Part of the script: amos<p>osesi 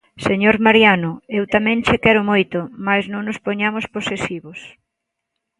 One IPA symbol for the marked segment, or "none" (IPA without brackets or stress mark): p